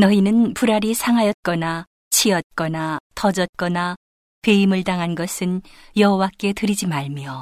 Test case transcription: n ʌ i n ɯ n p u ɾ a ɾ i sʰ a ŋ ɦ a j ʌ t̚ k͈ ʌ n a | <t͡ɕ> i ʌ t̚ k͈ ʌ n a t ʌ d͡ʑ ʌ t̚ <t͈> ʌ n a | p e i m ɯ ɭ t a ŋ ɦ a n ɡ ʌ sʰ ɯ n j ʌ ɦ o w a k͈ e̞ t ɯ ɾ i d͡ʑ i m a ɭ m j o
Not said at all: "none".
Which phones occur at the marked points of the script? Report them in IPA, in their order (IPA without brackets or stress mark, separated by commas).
t͡ɕʰ, k͈